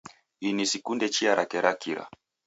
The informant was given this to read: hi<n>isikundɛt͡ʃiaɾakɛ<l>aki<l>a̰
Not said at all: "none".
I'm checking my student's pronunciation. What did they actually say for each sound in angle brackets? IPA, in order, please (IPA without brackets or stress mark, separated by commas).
n, ɾ, ɾ